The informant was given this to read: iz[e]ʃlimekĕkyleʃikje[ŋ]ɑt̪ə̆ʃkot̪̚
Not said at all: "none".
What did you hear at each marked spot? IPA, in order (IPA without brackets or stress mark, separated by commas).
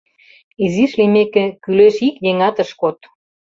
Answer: i, ŋ